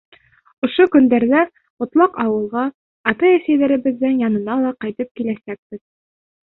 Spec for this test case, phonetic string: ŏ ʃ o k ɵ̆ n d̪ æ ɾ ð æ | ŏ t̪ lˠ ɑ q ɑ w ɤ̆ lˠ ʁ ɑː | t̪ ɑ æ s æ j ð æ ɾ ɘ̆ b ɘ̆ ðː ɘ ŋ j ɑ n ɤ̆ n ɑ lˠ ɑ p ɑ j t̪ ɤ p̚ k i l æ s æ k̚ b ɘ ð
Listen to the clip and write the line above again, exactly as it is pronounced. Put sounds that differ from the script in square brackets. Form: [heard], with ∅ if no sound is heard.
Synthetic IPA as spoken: ŏ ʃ o k ɵ̆ n d̪ æ ɾ ð æ | ŏ t̪ lˠ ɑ q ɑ w ɤ̆ lˠ ʁ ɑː | t̪ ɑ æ s æ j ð æ ɾ ɘ̆ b ɘ̆ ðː ɘ ŋ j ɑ n ɤ̆ n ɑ lˠ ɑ [q] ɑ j t̪ ɤ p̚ k i l æ s æ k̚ b ɘ ð